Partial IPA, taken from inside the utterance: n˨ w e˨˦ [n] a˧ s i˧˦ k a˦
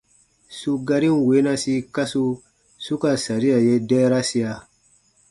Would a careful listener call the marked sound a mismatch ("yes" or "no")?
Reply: no